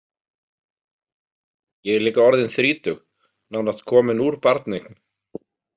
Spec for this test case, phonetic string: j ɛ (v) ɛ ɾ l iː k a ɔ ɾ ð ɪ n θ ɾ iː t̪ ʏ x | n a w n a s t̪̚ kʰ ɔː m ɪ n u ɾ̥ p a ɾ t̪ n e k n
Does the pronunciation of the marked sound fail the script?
yes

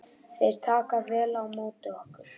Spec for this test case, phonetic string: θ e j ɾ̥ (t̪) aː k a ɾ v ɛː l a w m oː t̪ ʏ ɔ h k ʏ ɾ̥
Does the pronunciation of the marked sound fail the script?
yes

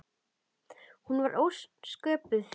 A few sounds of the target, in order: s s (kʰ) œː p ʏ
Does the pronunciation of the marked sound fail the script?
yes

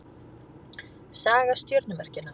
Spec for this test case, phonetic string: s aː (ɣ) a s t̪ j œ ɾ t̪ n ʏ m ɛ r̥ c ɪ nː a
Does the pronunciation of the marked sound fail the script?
no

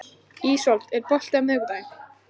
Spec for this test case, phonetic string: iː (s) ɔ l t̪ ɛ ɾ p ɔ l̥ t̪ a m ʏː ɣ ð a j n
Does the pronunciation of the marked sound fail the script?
no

